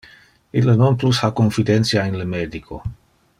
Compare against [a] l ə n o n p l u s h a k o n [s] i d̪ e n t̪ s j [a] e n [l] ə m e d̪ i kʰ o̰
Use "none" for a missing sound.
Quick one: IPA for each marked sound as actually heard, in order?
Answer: i, f, a, l

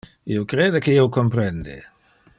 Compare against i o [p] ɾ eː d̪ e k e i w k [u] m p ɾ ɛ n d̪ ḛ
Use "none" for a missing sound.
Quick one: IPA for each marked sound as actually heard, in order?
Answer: k, o

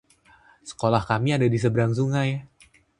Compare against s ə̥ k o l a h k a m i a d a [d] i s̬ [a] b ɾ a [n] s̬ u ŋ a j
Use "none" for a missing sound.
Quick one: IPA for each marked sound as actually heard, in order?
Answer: d, ə, ŋ

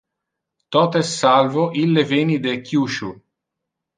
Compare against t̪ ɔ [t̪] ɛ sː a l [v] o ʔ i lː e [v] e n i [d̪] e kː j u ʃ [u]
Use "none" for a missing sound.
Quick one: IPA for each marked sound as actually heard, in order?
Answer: t̪, v, v, d̪, u

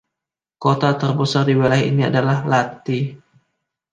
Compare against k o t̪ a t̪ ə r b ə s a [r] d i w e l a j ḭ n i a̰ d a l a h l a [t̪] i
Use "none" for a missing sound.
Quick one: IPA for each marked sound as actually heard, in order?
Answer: r, t̪

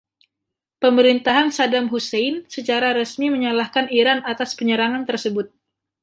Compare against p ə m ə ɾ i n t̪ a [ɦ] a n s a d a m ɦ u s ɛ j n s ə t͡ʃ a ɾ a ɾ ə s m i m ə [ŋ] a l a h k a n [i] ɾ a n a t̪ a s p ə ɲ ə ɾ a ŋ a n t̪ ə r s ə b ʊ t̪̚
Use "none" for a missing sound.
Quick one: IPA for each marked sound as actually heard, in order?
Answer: ɦ, ɲ, i

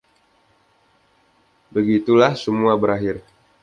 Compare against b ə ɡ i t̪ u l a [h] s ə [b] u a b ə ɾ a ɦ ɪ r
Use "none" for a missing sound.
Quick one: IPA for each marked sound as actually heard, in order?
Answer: h, m

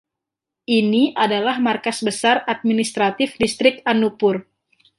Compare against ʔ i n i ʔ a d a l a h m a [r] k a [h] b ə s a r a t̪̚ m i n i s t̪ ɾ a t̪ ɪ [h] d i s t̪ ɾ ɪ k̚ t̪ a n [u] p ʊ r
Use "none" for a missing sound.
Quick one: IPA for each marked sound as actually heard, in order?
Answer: r, s, f, u

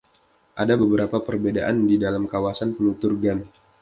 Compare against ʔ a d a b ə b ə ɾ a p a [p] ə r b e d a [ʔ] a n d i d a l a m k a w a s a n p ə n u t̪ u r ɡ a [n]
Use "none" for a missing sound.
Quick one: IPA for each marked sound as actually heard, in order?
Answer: p, ʔ, n

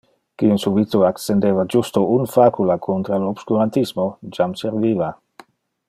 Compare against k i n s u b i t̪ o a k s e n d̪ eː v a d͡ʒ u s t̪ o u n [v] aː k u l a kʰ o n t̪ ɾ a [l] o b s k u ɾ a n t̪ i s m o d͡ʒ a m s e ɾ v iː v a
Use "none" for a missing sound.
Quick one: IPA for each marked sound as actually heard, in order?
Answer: f, l

